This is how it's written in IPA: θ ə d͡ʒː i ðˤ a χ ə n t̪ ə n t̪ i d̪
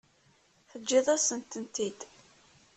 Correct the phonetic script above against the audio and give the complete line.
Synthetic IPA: θ ə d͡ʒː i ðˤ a s ə n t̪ ə n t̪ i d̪

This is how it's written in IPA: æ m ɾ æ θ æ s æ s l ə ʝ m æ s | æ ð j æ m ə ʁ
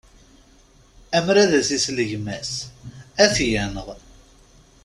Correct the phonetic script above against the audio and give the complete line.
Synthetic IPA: æ m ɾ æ ð æ s i s l ə ʝ m æ s | æ θ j æ n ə ʁ

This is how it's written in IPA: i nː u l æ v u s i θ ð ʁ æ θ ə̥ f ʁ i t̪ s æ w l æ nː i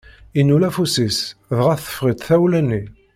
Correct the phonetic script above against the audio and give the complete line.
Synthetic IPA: i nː u l æ f u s i s ð ʁ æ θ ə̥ f ʁ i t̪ θ æ w l æ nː i

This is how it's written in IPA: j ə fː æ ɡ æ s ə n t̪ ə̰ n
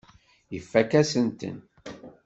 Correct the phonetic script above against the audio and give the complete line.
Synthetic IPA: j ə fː æ k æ s ə n t̪ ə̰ n

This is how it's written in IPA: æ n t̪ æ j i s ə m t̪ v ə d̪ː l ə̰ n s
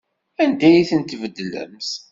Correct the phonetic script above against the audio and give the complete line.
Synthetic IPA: æ n d̪ æ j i θ ə n t̪ v ə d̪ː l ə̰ m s

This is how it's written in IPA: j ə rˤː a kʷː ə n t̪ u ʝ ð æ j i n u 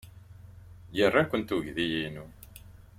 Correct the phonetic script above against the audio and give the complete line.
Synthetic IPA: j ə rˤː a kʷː ə n t̪ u ʝ ð i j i n u

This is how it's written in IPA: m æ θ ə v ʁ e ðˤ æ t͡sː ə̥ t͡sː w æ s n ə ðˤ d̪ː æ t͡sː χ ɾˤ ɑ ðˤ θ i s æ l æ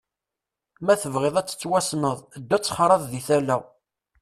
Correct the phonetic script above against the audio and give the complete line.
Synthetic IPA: m æ θ ə v ʁ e ðˤ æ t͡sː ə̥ t͡sː w æ s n ə ðˤ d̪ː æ t͡sː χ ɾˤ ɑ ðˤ ð i θ æ l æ

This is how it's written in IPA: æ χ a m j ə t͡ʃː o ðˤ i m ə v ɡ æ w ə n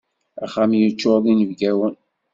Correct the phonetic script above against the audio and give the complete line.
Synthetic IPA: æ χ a m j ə t͡ʃː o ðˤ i n ə v ɡ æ w ə n

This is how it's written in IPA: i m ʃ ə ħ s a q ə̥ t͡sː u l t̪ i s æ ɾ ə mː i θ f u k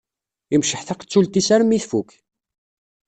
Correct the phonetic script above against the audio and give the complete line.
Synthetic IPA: i m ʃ ə ħ θ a q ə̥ t͡sː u l t̪ i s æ ɾ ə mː i θ f u k

